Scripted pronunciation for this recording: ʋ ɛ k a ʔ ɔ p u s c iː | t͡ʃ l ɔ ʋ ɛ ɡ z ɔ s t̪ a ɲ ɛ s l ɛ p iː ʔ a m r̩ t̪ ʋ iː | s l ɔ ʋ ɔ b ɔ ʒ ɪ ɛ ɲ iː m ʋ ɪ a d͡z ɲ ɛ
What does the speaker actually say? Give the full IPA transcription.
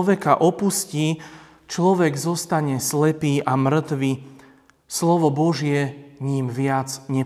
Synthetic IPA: ʋ ɛ k a ʔ ɔ p u s c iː | t͡ʃ l ɔ ʋ ɛ ɡ z ɔ s t̪ a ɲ ɛ s l ɛ p iː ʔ a m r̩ t̪ ʋ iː | s l ɔ ʋ ɔ b ɔ ʒ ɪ ɛ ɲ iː m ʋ ɪ a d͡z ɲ ɛ